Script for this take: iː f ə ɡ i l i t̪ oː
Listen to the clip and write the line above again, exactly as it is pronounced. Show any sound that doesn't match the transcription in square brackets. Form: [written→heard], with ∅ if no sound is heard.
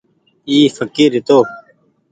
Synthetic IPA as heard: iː f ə [ɡ→k] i [l→ɾ] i t̪ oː